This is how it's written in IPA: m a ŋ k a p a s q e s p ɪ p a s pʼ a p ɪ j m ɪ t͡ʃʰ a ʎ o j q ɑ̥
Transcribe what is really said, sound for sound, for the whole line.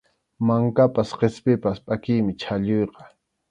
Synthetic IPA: m a ŋ k a p a s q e s p ɪ p a s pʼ a k ɪ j m ɪ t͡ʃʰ a ʎ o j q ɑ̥